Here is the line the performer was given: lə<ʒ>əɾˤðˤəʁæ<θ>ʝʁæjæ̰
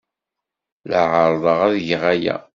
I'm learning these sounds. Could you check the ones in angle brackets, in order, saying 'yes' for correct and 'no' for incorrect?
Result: no, no

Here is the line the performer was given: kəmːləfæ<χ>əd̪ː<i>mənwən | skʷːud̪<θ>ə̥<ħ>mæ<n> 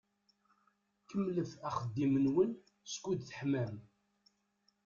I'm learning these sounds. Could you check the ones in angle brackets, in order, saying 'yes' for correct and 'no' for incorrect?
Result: yes, yes, yes, yes, no

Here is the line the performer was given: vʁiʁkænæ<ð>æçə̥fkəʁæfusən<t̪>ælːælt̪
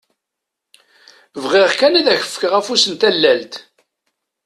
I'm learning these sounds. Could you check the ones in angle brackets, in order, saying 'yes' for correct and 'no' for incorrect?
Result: yes, yes

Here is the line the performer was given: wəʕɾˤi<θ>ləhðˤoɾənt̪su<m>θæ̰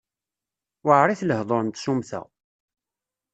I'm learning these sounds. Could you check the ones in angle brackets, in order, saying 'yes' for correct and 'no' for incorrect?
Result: yes, yes

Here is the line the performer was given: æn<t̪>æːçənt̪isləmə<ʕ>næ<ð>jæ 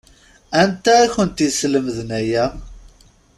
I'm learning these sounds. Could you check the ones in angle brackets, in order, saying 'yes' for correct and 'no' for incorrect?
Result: yes, no, no

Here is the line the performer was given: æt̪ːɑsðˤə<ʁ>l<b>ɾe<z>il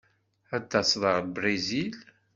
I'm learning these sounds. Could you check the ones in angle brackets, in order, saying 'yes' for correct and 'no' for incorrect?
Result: yes, yes, yes

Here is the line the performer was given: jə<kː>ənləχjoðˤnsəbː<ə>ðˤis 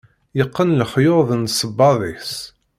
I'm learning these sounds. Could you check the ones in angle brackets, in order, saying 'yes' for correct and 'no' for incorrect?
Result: no, no

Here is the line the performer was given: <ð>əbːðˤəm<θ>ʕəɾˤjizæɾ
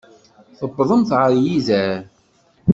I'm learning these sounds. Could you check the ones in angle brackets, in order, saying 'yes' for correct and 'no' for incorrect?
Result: no, yes

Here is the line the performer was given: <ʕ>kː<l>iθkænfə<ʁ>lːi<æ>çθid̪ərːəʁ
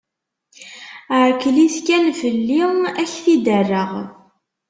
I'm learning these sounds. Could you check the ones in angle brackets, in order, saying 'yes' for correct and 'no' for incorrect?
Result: yes, yes, no, yes

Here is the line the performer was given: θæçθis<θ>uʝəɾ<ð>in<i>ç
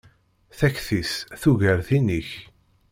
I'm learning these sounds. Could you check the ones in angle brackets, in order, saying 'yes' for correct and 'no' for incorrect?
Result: yes, no, yes

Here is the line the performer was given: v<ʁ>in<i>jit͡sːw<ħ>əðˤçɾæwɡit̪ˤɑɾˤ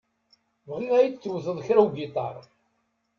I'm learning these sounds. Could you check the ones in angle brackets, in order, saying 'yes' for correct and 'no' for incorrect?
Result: yes, no, no

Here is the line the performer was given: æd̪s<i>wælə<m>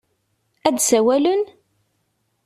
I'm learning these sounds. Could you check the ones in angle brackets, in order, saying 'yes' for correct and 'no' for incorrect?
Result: no, no

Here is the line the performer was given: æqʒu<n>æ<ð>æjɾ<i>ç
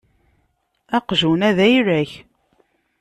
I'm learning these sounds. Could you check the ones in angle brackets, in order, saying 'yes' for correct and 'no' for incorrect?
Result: yes, yes, no

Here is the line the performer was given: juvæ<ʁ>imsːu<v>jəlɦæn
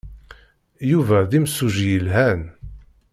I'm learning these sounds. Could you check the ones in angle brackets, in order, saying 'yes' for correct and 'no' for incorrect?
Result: no, no

